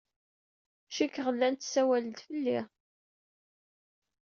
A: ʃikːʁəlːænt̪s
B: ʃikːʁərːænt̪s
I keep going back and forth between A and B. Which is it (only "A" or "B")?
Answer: A